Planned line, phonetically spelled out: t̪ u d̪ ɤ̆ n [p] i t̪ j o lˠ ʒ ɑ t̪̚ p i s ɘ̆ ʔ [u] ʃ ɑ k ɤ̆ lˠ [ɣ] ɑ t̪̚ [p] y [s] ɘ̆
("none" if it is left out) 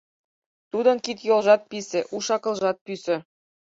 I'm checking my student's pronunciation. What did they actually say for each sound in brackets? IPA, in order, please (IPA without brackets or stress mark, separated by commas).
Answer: k, u, ʒ, p, s